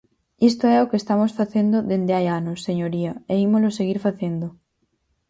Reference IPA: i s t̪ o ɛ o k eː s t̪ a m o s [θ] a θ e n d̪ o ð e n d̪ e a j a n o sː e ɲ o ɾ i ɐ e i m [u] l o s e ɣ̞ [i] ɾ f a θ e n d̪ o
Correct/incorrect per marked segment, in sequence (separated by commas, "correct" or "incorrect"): incorrect, incorrect, correct